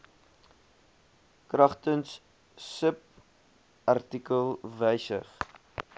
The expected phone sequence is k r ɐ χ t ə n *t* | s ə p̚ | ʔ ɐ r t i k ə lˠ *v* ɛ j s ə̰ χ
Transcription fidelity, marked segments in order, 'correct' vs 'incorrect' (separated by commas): incorrect, correct